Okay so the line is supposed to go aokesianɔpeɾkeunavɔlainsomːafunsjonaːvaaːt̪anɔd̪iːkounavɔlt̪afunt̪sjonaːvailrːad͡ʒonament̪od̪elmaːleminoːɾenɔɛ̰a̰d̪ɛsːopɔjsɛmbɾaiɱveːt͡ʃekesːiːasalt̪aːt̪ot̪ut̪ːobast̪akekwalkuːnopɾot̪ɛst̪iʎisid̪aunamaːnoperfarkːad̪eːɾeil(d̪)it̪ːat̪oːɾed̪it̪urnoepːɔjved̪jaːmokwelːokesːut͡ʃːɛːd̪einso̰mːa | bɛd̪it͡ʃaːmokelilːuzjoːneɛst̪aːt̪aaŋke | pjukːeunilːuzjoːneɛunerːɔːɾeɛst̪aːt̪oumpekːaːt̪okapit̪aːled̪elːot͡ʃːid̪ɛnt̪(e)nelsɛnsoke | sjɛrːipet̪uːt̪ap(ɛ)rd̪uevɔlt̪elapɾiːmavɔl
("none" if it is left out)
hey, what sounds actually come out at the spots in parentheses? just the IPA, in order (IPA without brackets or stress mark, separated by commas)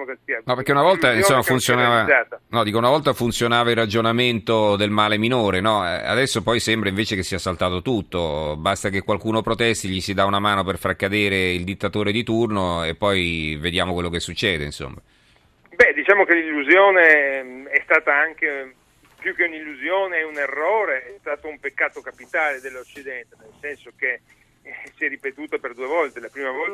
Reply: d̪, e, e